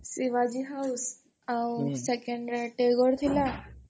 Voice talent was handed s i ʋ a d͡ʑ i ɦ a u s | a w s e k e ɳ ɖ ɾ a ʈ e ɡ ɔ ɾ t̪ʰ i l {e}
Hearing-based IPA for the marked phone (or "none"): a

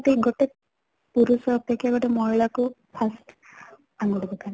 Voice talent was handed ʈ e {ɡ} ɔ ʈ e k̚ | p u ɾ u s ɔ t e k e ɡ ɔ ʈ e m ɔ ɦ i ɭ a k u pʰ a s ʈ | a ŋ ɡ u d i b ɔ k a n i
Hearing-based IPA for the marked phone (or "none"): ɡ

